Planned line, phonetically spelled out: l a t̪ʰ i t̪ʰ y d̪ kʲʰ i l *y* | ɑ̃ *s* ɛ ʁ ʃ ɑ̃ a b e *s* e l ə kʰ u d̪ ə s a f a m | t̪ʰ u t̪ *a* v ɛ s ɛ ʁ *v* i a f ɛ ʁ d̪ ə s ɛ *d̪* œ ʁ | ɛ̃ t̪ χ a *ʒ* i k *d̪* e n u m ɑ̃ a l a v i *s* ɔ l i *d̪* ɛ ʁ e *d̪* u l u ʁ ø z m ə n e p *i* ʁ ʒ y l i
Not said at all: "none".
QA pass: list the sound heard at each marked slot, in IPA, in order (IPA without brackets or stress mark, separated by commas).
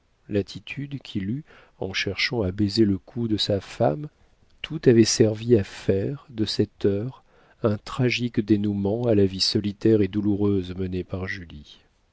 y, ʃ, z, a, v, t̪, ʒ, d̪, s, t̪, d̪, a